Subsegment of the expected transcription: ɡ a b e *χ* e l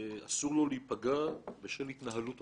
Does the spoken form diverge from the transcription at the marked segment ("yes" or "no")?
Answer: yes